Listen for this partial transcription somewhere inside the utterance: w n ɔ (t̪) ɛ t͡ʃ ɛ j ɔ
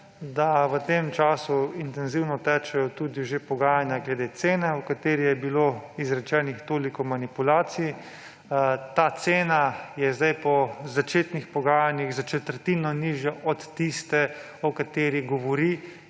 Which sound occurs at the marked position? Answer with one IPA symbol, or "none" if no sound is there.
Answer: t̪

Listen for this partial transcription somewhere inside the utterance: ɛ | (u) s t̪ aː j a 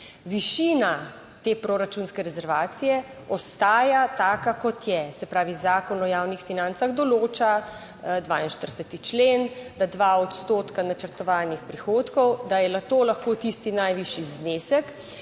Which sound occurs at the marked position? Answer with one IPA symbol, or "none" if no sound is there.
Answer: ɔ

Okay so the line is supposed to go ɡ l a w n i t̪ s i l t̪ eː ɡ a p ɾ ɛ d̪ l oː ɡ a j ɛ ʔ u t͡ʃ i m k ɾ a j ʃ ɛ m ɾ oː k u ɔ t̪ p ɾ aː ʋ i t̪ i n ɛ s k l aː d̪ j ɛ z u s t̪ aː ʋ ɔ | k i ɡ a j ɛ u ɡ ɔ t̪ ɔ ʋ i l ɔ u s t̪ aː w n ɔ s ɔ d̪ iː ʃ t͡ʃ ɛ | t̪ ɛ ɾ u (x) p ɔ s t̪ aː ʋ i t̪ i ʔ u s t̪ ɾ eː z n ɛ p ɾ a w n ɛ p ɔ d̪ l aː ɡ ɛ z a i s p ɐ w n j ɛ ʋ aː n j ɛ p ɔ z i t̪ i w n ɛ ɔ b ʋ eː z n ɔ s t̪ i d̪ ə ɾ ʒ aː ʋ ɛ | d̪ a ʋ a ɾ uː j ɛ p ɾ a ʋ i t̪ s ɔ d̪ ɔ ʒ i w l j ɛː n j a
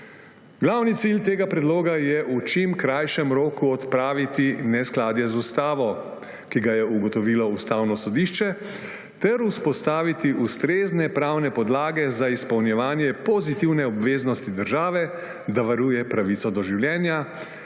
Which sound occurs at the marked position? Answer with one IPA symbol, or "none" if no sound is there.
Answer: s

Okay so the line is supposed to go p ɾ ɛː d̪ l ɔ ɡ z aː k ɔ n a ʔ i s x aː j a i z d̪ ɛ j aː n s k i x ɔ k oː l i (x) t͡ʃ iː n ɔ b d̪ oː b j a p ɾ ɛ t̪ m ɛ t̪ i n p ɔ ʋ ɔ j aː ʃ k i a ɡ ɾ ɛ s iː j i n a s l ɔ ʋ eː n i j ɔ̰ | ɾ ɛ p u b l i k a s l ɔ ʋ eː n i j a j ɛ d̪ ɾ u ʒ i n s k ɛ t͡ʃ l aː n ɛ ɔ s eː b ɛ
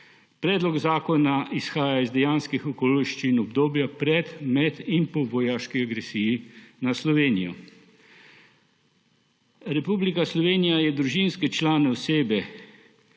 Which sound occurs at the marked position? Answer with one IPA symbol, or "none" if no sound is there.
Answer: ʃ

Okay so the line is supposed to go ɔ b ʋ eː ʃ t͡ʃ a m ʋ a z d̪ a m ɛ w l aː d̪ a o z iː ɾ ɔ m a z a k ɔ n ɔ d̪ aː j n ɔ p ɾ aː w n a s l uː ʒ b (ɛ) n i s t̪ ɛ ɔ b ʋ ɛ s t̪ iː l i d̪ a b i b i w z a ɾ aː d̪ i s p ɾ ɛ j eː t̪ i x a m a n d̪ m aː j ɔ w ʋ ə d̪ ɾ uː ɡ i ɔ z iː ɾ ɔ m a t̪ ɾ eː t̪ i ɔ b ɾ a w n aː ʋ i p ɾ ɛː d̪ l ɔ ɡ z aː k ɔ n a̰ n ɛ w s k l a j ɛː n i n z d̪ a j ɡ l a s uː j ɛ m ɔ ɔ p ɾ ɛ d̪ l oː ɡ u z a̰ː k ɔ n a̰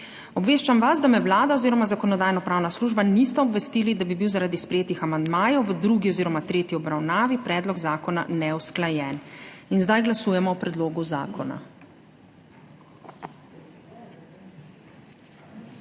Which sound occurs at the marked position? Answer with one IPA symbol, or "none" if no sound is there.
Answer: a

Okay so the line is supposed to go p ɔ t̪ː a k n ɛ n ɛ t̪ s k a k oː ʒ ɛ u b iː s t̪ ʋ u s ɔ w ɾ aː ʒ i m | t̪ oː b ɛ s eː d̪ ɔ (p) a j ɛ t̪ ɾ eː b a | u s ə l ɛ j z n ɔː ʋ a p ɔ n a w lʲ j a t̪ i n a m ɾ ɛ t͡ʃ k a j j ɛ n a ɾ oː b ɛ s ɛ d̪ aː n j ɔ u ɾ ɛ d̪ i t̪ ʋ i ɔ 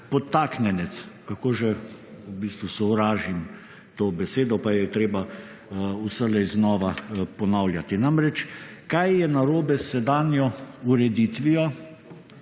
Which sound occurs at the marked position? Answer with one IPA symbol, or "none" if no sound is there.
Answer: p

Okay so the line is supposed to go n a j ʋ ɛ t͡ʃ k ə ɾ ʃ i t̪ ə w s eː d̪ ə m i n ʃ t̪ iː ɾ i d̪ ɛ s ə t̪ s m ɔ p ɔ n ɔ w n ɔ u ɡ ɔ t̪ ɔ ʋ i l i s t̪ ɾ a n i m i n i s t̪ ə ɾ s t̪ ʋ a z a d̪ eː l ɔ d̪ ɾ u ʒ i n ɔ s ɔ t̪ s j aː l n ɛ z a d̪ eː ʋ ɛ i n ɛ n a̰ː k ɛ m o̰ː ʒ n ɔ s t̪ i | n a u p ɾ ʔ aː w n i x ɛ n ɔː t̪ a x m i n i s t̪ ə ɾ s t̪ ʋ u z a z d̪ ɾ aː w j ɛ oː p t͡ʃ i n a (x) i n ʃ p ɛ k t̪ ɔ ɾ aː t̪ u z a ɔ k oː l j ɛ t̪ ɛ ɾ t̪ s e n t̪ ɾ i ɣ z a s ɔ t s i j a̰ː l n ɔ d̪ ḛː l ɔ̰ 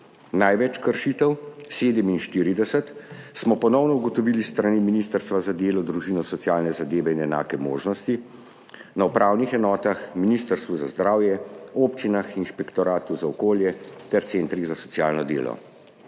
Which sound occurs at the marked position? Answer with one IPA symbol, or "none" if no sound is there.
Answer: x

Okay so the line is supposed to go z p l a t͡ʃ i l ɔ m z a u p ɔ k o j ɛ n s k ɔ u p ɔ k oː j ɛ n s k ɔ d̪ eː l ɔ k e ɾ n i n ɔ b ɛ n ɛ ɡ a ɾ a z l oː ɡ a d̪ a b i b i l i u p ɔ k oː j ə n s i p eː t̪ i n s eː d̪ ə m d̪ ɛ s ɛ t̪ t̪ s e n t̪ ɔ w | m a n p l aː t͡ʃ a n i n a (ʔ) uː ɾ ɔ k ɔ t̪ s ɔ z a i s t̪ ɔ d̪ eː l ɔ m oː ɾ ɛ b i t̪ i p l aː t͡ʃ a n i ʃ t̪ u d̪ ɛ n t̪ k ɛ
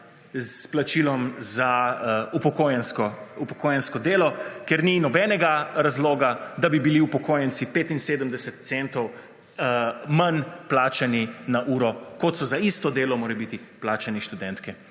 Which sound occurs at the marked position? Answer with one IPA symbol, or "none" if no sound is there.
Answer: ʔ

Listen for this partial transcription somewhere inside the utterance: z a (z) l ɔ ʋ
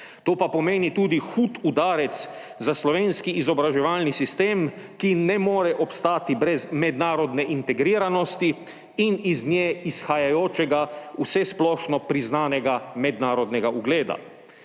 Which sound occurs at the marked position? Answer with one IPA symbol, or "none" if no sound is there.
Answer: s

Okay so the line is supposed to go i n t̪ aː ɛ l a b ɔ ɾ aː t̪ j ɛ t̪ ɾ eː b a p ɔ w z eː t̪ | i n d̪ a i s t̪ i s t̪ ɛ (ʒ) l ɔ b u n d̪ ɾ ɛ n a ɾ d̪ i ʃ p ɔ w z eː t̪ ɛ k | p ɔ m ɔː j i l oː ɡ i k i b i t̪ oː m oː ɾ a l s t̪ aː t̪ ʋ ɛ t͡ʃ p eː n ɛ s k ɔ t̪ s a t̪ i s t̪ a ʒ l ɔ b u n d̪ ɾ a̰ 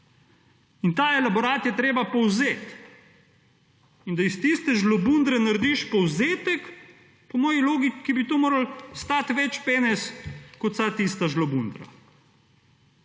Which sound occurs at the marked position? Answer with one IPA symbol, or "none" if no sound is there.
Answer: ʒ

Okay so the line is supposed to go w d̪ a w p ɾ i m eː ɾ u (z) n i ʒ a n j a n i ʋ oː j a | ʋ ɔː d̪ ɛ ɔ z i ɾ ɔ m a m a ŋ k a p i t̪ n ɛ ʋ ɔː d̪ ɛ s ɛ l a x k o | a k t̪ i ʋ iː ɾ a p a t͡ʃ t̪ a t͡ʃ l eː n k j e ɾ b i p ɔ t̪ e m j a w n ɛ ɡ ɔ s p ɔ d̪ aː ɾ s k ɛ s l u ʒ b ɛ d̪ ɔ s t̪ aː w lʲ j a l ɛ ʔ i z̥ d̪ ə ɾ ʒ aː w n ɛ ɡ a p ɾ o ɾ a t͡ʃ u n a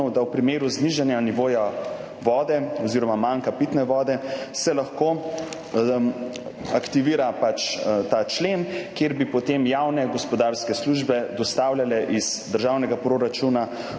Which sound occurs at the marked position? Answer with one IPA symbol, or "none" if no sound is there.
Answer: z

